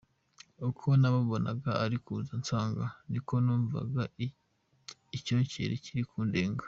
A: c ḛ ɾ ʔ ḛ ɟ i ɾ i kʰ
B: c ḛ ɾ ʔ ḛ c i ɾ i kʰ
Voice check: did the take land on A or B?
B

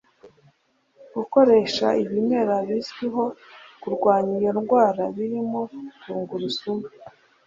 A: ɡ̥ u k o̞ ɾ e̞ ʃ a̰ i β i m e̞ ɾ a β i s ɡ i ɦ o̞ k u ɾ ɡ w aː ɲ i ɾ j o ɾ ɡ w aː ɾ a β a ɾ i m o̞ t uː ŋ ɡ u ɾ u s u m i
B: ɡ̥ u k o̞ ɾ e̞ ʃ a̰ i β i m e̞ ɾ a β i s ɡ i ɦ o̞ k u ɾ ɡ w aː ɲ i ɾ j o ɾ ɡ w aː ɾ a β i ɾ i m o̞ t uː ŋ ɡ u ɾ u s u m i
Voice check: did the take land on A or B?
B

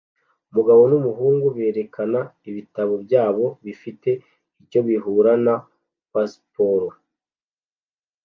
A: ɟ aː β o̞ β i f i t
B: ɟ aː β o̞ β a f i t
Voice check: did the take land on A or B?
A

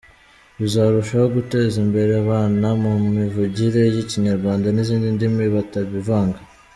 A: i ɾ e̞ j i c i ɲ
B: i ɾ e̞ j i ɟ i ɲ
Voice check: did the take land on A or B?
A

